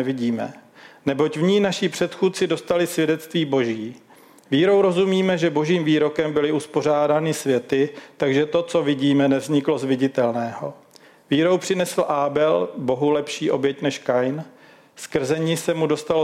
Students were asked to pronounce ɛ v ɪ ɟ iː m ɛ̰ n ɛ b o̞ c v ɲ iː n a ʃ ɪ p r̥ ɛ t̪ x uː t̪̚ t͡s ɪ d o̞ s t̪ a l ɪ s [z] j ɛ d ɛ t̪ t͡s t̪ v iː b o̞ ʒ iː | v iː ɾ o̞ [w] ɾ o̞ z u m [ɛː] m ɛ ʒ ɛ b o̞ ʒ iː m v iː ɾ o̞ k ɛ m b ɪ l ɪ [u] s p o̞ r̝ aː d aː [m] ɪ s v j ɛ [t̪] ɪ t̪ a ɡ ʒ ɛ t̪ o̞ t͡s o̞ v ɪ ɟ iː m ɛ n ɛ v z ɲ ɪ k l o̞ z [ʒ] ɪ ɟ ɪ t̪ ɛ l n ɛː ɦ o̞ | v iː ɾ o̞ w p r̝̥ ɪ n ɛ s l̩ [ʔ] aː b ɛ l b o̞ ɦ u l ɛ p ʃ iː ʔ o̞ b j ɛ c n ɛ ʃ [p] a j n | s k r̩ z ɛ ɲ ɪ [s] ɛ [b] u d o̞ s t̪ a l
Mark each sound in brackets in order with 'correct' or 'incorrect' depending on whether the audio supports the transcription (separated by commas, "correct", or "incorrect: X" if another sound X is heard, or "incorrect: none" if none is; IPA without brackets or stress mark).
incorrect: v, correct, incorrect: iː, correct, incorrect: n, correct, incorrect: v, correct, incorrect: k, correct, incorrect: m